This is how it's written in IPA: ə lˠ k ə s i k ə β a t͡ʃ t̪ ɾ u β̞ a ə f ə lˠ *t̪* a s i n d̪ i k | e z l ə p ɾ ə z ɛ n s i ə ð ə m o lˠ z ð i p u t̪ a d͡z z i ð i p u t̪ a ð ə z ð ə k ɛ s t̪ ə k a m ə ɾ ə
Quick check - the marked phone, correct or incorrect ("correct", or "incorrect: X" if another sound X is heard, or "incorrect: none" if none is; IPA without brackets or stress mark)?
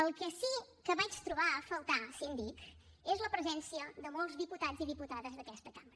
correct